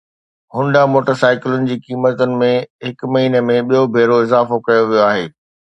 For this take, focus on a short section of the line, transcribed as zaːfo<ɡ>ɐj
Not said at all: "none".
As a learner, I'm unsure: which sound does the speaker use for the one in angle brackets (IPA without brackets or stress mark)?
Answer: k